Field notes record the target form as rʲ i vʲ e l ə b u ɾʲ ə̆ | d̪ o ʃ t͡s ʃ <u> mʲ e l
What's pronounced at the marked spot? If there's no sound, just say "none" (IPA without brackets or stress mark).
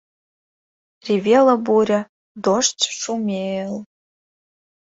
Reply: u